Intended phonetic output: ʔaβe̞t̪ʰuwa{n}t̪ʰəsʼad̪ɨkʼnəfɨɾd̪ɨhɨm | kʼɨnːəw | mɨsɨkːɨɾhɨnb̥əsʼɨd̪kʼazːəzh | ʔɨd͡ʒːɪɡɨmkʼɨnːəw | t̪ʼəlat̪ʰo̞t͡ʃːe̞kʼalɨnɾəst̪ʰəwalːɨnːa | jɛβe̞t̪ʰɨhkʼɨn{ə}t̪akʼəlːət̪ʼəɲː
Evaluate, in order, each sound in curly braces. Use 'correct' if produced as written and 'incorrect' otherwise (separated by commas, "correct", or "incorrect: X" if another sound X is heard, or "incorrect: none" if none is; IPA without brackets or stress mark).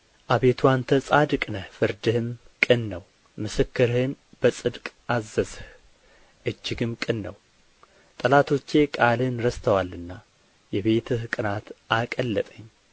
correct, incorrect: a